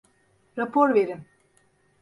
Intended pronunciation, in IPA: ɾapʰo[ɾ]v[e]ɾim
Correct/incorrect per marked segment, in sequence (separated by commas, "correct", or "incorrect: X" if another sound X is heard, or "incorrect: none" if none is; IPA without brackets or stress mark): correct, correct